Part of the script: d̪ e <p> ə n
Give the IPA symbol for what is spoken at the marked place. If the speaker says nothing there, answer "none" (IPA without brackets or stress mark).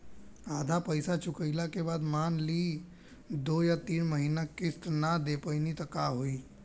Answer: p